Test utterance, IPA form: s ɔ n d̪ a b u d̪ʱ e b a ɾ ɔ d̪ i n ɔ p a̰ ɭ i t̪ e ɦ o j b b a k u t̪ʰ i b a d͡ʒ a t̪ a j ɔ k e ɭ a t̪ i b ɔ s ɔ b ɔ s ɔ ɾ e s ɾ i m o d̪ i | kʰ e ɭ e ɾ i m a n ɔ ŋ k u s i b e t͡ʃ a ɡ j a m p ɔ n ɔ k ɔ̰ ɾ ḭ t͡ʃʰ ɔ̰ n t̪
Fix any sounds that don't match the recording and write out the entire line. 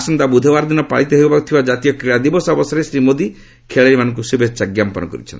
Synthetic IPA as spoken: s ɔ n d̪ a b u d̪ʱ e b a ɾ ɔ d̪ i n ɔ p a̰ ɭ i t̪ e ɦ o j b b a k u t̪ʰ i b a d͡ʒ a t̪ i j ɔ k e ɭ a d̪ i b ɔ s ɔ b ɔ s ɔ ɾ e s ɾ i m o d̪ i | kʰ e ɭ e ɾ i m a n ɔ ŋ k u s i b e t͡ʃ a ɡ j a m p ɔ n ɔ k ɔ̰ ɾ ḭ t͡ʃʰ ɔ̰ n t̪